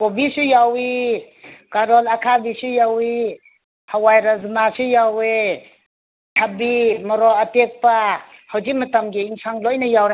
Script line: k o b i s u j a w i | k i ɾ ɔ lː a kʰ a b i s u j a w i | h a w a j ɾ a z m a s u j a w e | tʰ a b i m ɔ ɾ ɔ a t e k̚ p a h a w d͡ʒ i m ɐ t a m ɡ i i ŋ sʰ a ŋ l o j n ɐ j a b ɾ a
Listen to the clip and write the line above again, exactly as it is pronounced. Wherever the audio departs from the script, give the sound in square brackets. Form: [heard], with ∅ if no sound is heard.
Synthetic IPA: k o b i s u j a w i | k [a] ɾ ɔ [l] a kʰ a b i s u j a w i | h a w a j ɾ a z m a s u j a w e | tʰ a b i m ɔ ɾ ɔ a t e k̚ p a h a w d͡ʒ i m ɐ t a m ɡ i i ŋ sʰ a ŋ l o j n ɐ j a [w] ɾ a